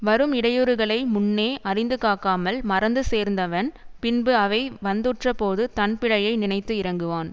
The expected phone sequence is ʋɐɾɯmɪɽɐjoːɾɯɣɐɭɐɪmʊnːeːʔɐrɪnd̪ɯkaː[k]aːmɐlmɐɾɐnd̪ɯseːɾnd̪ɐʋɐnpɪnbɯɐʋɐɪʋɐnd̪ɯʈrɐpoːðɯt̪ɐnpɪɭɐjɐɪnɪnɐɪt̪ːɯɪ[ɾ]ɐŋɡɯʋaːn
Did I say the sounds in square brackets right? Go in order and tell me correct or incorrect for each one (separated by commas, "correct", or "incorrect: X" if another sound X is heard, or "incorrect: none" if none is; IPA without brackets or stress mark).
correct, correct